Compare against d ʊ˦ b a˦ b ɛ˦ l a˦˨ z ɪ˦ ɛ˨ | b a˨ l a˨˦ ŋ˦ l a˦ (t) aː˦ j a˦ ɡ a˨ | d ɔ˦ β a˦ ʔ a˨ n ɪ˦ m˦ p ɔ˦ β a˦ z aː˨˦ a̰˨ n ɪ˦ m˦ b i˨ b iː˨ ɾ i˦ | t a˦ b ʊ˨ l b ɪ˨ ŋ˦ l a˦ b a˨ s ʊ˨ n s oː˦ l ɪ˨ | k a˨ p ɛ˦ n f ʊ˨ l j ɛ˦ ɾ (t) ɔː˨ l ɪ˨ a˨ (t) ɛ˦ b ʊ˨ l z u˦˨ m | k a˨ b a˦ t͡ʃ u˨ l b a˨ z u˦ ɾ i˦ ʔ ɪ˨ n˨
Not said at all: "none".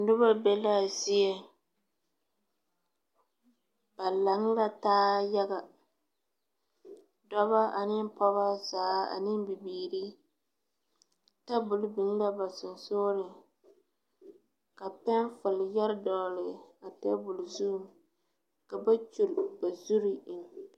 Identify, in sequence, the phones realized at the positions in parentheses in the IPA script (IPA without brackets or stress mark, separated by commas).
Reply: t, d, t